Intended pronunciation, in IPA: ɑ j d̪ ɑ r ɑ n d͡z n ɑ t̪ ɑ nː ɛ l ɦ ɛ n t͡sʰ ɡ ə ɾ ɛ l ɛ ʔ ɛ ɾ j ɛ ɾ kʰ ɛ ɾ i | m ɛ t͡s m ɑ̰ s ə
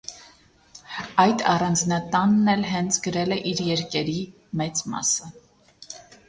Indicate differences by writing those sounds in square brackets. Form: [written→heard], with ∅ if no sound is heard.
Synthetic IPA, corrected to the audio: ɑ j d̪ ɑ r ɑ n d͡z n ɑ t̪ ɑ nː ɛ l ɦ ɛ n t͡sʰ ɡ ə ɾ ɛ l ɛ ʔ [ɛ→i] ɾ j ɛ ɾ [kʰ→k] ɛ ɾ i | m ɛ t͡s m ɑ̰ s ə

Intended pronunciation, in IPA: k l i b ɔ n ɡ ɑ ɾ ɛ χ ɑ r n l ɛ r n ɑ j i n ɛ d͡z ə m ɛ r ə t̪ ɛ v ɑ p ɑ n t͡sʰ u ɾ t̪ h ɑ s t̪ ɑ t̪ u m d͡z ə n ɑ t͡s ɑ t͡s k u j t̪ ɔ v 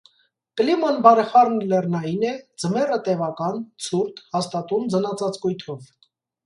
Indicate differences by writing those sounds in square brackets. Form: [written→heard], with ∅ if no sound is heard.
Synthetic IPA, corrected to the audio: k l i [b→m] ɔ n [ɡ→b] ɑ ɾ ɛ χ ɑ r n l ɛ r n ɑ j i n ɛ d͡z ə m ɛ r ə t̪ ɛ v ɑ [p→k] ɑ n t͡sʰ u ɾ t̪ h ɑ s t̪ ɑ t̪ u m d͡z ə n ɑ t͡s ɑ t͡s k u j [t̪→t̪ʰ] ɔ v

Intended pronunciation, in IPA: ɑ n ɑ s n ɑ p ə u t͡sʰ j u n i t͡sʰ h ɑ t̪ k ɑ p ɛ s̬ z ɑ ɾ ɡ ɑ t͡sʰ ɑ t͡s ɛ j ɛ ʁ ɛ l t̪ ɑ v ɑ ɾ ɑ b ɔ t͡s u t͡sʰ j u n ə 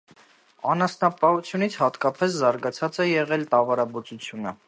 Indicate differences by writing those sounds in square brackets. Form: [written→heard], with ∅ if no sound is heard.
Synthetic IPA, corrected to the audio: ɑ n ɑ s n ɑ p [ə→ɑ] u t͡sʰ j u n i t͡sʰ h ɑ t̪ k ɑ p ɛ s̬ z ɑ ɾ ɡ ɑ t͡sʰ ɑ t͡s ɛ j ɛ ʁ ɛ l t̪ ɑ v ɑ ɾ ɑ b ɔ t͡s u t͡sʰ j u n ə

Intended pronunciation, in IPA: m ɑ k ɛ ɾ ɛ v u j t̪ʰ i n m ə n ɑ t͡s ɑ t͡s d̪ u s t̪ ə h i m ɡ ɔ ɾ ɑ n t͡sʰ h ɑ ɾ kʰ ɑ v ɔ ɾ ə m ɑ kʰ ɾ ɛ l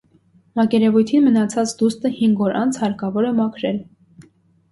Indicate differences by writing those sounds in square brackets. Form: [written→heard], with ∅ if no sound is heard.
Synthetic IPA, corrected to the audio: m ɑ k ɛ ɾ ɛ v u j t̪ʰ i n m ə n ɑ [t͡s→t͡sʰ] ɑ t͡s d̪ u s t̪ ə h i [m→ŋ] ɡ ɔ ɾ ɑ n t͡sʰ h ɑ ɾ [kʰ→k] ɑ v ɔ ɾ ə m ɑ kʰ ɾ ɛ l

